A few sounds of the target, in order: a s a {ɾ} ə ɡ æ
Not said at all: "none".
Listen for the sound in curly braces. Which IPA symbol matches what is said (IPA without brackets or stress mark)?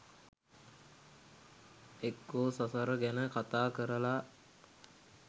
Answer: ɾ